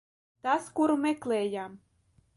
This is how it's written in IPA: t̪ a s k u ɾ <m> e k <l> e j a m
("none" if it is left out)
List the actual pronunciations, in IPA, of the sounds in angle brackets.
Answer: m, l

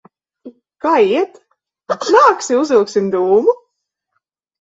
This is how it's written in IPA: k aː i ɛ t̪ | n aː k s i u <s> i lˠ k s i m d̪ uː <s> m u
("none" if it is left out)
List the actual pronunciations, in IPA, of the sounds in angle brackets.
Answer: z, none

